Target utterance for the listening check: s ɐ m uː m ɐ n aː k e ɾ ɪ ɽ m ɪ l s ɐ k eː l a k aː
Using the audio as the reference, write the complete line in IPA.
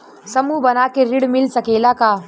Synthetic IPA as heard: s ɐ m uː b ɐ n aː k e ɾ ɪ ɽ m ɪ l s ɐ k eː l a k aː